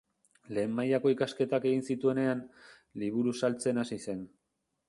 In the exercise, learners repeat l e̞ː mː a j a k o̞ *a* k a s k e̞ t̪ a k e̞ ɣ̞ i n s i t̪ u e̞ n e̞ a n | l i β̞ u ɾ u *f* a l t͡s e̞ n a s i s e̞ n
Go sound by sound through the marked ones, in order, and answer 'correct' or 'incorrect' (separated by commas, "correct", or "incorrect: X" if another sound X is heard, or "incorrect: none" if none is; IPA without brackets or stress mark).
incorrect: i, incorrect: s